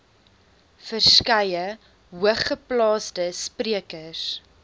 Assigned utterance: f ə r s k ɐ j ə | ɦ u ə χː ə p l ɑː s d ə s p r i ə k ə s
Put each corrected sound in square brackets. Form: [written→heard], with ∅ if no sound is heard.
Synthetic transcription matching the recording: f ə r s k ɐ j ə | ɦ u ə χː ə p l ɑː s d ə s p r i ə k ə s